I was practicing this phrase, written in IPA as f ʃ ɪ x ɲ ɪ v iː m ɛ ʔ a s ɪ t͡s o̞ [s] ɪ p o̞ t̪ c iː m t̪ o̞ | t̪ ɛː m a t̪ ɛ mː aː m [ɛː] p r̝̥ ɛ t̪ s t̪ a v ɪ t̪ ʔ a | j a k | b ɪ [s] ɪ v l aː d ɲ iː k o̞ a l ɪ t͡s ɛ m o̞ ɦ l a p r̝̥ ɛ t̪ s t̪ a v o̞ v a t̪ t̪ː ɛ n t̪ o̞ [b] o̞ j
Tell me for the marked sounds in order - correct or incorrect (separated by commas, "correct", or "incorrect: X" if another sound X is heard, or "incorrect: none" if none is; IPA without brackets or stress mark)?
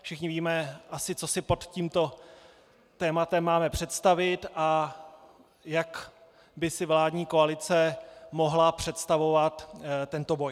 correct, incorrect: ɛ, correct, correct